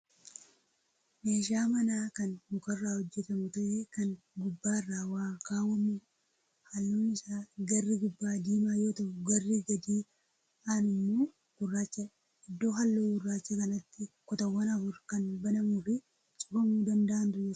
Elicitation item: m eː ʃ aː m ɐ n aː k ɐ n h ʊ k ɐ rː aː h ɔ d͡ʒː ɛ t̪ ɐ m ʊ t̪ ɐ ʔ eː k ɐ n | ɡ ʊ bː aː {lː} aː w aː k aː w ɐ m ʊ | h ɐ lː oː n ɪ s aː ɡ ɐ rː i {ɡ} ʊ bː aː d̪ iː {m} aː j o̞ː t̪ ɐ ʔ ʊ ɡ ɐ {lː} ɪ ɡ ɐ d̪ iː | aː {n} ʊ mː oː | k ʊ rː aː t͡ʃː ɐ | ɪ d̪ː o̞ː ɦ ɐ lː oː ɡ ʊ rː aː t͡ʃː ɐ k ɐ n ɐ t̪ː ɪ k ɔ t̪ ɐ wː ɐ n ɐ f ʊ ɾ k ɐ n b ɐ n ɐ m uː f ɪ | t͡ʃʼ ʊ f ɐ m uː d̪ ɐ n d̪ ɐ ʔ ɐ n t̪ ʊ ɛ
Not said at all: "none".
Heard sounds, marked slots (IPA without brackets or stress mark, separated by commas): rː, ɡ, m, rː, n